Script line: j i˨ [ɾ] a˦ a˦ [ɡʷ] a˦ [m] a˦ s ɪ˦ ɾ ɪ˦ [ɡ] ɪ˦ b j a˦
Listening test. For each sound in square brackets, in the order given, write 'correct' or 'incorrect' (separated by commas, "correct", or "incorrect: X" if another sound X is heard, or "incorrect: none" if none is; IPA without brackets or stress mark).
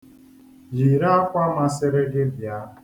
correct, incorrect: kʷ, correct, correct